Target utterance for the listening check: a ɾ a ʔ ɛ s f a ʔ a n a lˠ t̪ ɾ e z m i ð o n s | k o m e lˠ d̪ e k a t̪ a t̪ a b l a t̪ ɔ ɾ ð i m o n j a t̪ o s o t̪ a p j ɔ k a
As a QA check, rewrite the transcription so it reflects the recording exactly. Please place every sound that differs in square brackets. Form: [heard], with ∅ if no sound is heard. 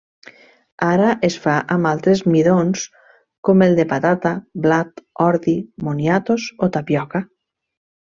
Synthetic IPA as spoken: a ɾ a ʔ [e] s f a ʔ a [m] a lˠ t̪ ɾ e z m i ð o n s | k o m e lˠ d̪ e [p] a t̪ a t̪ a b l a t̪ ɔ ɾ ð i m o n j a t̪ o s o t̪ a p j ɔ k a